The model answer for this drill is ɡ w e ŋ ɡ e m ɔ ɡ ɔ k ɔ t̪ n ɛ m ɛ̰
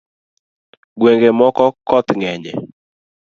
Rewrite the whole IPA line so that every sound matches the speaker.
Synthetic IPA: ɡ w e ŋ ɡ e m ɔ k ɔ k ɔ t̪ ŋ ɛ ɲ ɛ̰